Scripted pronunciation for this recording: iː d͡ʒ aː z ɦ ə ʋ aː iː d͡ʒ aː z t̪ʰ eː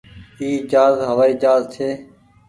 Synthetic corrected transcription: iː d͡ʒ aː z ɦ ə ʋ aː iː d͡ʒ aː z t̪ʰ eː